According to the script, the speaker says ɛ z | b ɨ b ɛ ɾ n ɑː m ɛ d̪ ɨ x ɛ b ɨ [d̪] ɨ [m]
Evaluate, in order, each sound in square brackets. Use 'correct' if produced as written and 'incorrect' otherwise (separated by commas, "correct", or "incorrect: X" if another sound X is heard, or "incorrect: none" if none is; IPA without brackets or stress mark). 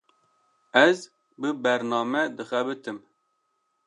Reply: incorrect: t̪, correct